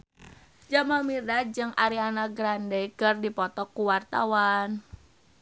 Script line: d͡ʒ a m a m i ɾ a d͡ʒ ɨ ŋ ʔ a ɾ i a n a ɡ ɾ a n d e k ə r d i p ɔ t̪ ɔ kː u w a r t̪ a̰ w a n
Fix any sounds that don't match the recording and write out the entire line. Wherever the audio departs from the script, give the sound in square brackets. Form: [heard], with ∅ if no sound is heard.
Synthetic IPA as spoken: d͡ʒ a m a m i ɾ a d͡ʒ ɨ ŋ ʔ a ɾ i a n a ɡ ɾ a n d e k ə r d i p ɔ t̪ ɔ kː u w a r t̪ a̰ w a n